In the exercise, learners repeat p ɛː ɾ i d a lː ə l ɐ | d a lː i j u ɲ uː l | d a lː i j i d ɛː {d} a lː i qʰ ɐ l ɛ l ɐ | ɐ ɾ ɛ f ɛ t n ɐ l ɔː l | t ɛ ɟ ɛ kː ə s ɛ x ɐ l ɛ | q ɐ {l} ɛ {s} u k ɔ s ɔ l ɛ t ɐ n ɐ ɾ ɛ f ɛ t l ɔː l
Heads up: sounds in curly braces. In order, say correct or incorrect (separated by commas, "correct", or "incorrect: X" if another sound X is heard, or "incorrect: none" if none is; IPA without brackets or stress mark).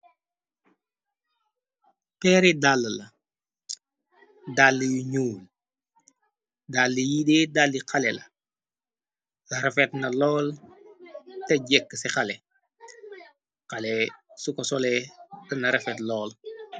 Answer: correct, correct, correct